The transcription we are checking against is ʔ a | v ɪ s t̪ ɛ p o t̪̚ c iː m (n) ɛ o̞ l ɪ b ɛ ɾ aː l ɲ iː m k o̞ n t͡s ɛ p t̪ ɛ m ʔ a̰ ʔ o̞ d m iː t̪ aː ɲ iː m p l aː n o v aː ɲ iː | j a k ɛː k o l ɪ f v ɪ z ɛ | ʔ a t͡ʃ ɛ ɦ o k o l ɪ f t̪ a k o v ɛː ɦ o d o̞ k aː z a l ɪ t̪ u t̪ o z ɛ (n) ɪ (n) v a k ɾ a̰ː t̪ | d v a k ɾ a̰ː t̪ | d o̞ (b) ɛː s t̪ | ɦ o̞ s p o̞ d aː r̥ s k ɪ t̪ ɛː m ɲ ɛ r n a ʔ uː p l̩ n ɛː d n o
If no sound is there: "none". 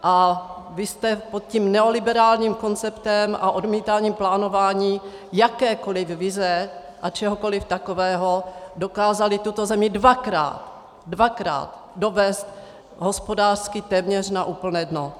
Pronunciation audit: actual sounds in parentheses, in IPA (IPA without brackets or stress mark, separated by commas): n, m, d, v